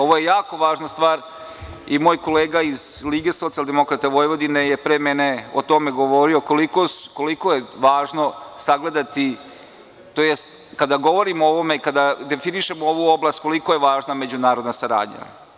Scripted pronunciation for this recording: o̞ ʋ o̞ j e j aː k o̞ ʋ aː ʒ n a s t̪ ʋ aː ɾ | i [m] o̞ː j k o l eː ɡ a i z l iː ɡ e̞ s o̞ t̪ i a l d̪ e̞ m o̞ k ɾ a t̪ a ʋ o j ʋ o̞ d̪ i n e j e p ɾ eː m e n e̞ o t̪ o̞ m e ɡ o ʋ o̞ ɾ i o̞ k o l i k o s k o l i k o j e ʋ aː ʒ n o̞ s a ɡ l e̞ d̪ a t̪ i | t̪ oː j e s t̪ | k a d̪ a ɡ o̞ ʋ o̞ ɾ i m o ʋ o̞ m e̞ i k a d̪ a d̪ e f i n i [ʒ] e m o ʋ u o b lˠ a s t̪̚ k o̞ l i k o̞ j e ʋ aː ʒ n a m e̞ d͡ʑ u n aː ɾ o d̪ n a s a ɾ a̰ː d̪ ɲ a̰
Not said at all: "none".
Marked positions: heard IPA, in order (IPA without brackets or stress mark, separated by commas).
m, ʃ